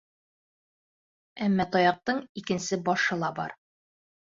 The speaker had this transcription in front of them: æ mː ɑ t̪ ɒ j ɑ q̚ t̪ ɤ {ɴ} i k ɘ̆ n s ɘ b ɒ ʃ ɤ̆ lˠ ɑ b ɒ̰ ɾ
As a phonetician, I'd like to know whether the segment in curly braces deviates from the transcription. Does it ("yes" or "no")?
no